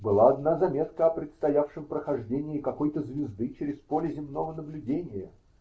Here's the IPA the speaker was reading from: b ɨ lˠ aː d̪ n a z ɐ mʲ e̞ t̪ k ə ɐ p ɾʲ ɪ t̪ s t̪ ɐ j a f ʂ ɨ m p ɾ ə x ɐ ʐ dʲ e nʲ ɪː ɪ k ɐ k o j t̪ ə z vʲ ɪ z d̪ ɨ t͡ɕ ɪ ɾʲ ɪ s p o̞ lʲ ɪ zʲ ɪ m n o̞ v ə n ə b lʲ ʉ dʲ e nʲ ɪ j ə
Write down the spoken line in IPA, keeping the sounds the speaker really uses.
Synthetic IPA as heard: b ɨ lˠ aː d̪ n a z ɐ mʲ e̞ t̪ k ə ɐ p ɾʲ ɪ t̪ s t̪ ɐ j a f ʂ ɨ m p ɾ ə x ɐ ʐ dʲ e nʲ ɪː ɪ k ɐ k o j t̪ ə z vʲ ɪ z d̪ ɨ t͡ɕ ɪ ɾʲ ɪ s p o̞ lʲ ɪ zʲ ɪ m n o̞ v ə n ə b lʲ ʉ dʲ e nʲ ɪ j ə